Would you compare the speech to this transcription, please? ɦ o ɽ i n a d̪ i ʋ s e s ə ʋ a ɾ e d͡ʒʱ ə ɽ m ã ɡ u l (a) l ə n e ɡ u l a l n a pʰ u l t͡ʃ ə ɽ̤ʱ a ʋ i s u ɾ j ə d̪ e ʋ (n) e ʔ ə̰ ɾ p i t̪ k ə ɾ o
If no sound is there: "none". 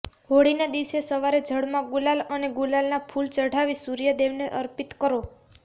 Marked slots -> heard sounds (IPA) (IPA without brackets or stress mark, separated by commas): a, n